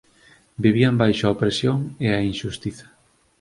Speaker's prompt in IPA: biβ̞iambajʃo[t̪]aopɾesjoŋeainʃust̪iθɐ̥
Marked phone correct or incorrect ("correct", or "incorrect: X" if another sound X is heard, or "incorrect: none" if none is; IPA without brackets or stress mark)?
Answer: incorrect: none